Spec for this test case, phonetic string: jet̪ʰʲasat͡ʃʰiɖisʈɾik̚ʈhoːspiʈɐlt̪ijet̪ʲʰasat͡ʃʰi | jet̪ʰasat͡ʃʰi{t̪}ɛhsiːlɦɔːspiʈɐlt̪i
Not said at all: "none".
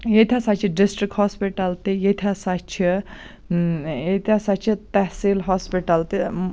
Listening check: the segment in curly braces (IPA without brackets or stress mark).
t̪